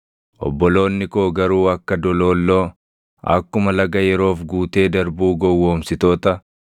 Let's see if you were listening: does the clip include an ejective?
no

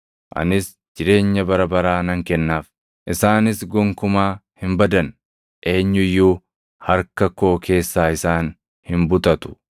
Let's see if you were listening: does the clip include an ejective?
no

